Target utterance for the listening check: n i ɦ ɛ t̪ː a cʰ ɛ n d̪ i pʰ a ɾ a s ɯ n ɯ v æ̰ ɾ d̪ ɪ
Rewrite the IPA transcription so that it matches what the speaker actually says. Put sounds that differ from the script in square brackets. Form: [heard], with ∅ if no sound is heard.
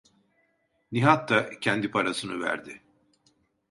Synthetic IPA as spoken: n i ɦ [a] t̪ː a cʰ ɛ n d̪ i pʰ a ɾ a s ɯ n ɯ v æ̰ ɾ d̪ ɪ